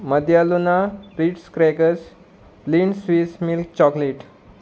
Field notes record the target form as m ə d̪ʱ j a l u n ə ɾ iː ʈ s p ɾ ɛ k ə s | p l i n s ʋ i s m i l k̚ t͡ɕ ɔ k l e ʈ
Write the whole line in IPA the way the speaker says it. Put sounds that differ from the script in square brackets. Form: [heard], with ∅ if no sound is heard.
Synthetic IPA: m ə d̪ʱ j a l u n [a] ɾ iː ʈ s [k] ɾ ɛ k ə s | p l i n s ʋ i s m i l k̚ t͡ɕ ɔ k l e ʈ